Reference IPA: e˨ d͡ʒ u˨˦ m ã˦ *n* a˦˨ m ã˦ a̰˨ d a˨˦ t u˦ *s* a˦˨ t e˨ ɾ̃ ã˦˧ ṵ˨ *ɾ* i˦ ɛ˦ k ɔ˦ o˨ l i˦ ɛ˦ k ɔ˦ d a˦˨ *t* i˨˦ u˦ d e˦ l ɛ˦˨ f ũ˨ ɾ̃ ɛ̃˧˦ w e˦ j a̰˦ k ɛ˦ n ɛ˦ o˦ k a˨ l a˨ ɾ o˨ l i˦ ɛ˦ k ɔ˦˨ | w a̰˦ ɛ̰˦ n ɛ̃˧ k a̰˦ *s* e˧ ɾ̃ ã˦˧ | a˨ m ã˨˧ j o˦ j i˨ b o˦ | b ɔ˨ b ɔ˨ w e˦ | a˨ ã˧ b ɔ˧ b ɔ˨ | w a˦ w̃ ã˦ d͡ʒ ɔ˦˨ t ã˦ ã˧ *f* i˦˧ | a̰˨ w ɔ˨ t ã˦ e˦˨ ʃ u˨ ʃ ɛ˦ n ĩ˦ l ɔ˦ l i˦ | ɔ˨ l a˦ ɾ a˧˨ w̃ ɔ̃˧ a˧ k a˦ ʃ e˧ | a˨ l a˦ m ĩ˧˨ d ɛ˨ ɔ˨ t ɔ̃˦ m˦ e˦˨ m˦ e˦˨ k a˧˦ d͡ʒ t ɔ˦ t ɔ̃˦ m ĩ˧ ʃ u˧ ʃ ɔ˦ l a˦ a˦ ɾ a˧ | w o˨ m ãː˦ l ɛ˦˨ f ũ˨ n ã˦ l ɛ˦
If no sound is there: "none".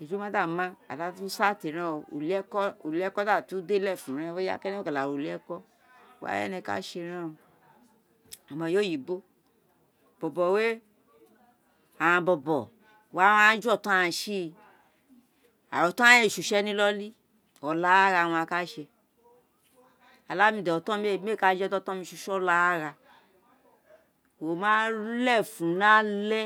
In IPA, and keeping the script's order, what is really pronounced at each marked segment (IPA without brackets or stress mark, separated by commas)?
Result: d, s, l, t, ʃ, ʃ